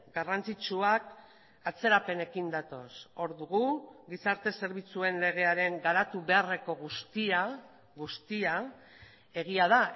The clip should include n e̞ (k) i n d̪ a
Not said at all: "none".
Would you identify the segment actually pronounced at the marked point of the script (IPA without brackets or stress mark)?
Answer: k